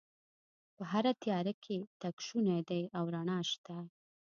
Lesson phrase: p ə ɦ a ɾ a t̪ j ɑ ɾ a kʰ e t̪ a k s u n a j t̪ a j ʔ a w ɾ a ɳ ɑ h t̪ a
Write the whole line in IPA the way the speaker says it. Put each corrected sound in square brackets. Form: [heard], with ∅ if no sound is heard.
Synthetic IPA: p ə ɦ a ɾ a t̪ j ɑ ɾ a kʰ e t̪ a k [ʃ] u n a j [d̪] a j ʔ a w ɾ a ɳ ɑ [ʃ] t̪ a